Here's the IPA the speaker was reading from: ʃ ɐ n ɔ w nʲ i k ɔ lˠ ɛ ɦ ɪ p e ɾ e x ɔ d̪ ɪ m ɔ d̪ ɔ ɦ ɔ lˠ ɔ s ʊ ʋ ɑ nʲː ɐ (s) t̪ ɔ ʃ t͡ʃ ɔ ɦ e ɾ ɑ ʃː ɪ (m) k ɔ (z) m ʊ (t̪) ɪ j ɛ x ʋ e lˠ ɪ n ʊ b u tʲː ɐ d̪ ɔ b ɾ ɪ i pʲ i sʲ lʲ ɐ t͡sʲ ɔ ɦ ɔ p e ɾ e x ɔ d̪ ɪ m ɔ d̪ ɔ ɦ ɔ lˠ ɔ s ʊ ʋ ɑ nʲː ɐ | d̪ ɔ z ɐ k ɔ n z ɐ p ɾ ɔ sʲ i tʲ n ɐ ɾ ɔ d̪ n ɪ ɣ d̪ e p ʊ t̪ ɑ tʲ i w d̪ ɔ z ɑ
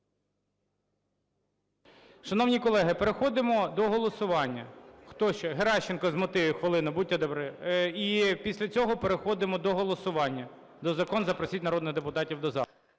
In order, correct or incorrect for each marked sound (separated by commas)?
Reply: incorrect, incorrect, correct, correct